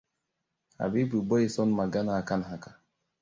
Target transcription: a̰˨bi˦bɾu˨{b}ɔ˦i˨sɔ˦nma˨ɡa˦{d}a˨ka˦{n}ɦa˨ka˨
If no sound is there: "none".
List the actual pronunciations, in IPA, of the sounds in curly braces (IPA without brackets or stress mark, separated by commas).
b, n, n